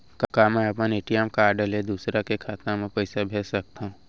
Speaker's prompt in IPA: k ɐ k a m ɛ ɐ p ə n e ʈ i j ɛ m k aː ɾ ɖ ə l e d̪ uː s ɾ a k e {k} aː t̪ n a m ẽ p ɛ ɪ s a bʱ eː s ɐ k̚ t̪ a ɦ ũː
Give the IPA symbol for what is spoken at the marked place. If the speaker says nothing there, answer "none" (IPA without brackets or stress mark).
kʰ